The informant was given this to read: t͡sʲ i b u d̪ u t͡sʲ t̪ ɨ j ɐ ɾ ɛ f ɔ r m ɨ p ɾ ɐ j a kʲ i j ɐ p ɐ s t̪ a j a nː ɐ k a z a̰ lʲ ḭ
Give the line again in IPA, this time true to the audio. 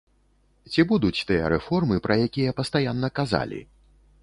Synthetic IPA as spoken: t͡sʲ i b u d̪ u t͡sʲ t̪ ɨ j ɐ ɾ ɛ f ɔ r m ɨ p ɾ ɐ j a kʲ i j ɐ p ɐ s t̪ a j a nː ɐ k a z a̰ lʲ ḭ